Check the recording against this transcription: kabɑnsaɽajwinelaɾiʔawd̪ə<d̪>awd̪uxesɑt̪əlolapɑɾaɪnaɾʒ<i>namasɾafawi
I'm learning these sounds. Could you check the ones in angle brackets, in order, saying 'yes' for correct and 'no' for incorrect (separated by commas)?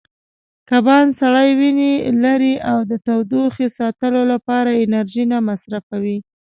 no, yes